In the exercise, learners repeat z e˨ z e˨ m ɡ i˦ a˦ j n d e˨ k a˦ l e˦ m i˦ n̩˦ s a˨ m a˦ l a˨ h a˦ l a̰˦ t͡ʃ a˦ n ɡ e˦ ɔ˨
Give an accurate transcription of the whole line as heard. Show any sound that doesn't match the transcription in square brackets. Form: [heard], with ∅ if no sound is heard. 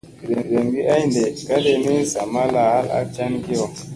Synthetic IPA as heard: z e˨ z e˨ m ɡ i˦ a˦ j n d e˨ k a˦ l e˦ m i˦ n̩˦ s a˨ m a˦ l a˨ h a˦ l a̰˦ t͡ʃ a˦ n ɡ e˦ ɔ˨

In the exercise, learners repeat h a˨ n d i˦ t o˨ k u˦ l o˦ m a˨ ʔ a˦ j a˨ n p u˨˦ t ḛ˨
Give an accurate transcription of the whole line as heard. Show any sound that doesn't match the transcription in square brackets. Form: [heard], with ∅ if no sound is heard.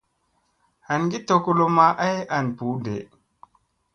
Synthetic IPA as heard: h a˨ n [ɡ] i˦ t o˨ k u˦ l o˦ m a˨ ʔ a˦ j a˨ n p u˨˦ [d] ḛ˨

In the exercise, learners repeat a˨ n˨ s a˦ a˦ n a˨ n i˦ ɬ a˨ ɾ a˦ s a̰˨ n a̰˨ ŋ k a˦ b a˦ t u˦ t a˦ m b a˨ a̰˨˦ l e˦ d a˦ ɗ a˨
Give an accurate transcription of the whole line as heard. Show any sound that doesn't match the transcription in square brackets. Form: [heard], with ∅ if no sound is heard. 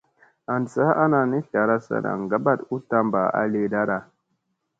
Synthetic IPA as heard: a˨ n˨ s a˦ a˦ n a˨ n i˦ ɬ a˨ ɾ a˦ s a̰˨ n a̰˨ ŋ [ɡ] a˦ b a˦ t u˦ t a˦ m b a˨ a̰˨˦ l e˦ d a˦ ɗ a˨

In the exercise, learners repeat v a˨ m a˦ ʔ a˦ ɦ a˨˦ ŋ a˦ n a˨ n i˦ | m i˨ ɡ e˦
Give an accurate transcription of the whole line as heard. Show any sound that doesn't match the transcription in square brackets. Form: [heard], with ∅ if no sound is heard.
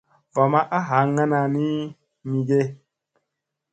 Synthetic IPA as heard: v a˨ m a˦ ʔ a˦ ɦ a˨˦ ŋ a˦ n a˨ n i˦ | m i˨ ɡ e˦

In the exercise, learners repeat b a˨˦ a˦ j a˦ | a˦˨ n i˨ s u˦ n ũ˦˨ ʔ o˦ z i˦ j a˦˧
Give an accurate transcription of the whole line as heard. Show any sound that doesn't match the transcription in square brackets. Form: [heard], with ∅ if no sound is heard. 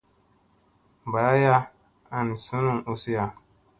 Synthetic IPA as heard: b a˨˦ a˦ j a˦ | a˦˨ n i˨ s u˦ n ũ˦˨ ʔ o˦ [s] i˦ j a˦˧

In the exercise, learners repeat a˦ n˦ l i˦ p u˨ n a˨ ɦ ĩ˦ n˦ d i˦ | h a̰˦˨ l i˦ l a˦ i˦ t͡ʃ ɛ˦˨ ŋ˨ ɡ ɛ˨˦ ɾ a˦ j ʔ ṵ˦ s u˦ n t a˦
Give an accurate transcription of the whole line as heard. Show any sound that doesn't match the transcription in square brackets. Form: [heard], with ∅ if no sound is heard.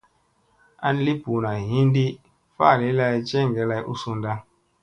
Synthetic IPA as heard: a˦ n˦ l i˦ p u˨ n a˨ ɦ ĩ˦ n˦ d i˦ | [f] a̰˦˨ l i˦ l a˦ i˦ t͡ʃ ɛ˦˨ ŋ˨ ɡ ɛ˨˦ [l] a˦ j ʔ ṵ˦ s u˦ n [d] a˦

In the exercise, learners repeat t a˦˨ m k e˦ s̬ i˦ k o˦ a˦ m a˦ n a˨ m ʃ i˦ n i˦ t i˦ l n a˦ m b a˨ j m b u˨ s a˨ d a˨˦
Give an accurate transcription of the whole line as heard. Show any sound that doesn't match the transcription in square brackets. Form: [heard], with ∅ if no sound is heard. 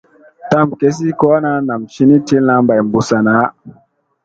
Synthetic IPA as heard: t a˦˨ m k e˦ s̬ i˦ k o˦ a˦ [n] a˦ n a˨ m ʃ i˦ n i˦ t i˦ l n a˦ m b a˨ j m b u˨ s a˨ [n] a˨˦

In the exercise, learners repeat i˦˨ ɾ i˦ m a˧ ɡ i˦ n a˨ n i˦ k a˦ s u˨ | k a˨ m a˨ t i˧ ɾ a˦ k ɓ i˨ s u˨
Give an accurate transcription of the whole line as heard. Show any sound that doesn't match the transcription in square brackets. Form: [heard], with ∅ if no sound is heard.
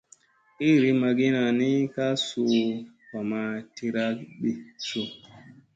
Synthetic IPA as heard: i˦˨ ɾ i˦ m a˧ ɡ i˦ n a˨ n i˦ k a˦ s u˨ | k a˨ m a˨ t i˧ ɾ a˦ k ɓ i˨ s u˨

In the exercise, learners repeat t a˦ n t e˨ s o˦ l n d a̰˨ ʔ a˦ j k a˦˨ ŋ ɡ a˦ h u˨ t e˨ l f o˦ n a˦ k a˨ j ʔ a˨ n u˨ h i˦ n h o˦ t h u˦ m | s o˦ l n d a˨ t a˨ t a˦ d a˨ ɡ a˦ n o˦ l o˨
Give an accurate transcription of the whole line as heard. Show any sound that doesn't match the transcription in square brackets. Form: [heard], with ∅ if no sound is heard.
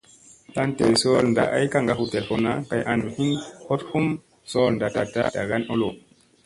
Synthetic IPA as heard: t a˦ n t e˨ s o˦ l n d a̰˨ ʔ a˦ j k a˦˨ ŋ ɡ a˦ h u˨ t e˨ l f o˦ n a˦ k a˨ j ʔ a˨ n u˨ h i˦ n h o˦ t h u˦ m | s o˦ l n d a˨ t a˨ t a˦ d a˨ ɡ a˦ n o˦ l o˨

